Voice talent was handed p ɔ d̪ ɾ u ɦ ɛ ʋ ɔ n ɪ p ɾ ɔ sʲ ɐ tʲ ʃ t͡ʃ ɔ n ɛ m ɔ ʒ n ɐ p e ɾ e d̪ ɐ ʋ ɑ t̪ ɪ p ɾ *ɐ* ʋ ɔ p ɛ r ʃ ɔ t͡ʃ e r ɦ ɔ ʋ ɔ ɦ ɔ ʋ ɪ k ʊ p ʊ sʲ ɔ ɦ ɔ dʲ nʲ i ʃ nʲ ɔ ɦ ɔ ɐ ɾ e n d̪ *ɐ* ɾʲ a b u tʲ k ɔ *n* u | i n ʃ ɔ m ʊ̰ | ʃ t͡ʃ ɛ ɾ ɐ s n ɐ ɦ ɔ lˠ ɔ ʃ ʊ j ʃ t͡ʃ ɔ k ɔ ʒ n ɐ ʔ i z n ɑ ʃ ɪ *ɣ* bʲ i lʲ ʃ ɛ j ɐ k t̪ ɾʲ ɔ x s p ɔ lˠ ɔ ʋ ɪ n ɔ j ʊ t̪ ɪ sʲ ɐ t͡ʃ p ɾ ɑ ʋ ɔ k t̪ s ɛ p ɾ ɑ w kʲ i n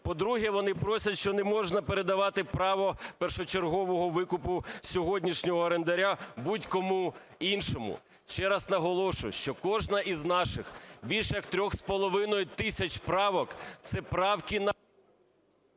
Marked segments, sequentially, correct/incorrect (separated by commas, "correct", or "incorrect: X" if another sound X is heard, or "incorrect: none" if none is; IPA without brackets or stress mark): incorrect: ɑ, correct, incorrect: m, incorrect: x